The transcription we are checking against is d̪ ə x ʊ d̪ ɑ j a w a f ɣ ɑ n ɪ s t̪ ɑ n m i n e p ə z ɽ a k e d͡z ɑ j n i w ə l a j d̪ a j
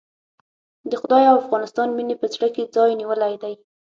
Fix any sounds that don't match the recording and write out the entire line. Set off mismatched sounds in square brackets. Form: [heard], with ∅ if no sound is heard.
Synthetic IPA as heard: d̪ ə x ʊ d̪ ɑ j a w a f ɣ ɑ n ɪ s t̪ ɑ n m i n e p ə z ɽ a k e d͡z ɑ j n i w ə l a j d̪ a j